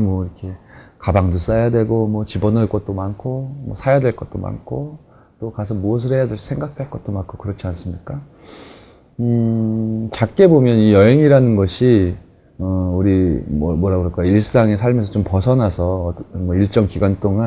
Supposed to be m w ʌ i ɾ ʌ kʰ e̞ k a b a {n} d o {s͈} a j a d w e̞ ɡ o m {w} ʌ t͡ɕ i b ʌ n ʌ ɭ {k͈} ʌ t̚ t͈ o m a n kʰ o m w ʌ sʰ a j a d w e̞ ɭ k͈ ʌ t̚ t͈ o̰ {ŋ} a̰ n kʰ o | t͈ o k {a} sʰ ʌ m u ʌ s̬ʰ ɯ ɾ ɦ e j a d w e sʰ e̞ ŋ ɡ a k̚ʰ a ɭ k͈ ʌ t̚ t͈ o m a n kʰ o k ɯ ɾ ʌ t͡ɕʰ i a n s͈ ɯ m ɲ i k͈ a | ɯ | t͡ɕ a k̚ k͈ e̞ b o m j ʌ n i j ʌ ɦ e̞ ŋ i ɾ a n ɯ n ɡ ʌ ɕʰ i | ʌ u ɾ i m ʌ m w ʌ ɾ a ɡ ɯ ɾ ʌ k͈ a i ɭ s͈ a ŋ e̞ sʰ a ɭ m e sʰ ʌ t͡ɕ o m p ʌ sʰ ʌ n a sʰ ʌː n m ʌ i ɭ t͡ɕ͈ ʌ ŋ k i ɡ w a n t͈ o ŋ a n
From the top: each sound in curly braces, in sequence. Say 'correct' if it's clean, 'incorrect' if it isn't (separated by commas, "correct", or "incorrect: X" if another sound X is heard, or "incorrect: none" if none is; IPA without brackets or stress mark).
incorrect: ŋ, correct, correct, correct, incorrect: m, correct